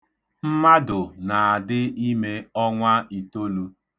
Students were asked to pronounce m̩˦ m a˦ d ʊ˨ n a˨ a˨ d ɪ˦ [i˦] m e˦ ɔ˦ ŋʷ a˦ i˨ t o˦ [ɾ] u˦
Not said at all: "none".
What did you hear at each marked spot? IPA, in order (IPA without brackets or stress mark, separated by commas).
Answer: i˦, l